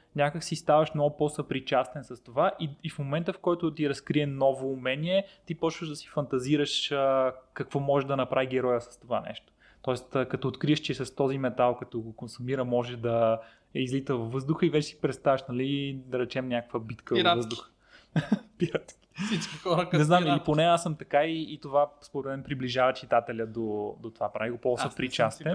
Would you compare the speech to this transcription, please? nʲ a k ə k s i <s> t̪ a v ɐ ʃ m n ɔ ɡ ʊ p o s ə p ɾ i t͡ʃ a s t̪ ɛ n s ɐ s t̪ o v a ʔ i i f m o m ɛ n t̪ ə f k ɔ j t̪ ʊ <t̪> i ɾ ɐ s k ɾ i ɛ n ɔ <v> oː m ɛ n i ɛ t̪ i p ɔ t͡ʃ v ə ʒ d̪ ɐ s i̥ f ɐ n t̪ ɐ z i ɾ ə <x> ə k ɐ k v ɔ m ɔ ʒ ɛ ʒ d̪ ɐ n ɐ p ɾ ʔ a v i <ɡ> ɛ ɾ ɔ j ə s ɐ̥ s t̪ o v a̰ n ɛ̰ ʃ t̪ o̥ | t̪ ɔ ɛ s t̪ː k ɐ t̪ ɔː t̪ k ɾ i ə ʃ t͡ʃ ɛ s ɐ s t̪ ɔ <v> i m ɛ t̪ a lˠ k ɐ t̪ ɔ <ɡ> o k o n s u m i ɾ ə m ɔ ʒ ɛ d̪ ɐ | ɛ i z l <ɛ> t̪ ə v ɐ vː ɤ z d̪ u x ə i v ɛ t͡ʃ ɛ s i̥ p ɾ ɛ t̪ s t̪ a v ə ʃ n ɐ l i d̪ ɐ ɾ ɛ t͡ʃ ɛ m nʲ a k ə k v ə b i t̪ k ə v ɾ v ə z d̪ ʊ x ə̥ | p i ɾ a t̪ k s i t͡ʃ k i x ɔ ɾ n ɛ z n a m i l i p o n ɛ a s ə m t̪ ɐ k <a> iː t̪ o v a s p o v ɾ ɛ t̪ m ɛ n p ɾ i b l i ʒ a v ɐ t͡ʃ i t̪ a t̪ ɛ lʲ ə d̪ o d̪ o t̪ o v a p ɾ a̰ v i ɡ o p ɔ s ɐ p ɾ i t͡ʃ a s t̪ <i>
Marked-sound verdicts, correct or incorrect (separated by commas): correct, correct, correct, incorrect, correct, incorrect, correct, incorrect, correct, incorrect